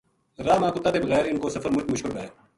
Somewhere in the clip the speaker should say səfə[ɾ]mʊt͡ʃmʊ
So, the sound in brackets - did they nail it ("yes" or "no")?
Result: yes